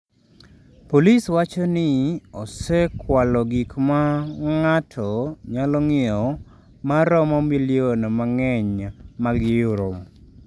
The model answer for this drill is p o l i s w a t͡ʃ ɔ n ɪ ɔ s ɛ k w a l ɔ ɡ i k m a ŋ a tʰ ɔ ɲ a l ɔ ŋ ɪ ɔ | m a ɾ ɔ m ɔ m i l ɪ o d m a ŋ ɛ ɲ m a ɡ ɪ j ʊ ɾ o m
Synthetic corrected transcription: p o l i s w a t͡ʃ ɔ n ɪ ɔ s ɛ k w a l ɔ ɡ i k m a ŋ a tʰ ɔ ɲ a l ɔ ŋ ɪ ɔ | m a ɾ ɔ m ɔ m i l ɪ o n m a ŋ ɛ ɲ m a ɡ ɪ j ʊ ɾ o m